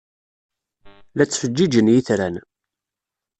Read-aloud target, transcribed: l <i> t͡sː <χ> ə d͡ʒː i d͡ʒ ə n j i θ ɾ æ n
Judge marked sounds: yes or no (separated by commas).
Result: no, no